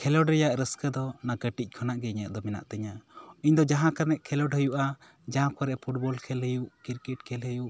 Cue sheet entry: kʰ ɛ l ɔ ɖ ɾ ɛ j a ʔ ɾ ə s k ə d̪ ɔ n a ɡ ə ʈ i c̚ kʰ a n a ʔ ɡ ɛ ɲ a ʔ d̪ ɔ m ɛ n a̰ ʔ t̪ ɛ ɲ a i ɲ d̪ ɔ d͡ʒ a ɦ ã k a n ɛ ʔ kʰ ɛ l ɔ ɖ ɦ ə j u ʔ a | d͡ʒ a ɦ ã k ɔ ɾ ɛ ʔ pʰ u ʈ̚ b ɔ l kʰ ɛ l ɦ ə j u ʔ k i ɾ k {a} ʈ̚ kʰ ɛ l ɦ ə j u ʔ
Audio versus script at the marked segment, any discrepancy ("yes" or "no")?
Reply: yes